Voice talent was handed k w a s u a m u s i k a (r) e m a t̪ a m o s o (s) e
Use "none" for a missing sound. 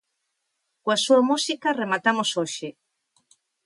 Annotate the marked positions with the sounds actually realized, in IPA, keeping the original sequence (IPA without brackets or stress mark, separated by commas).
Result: r, ʃ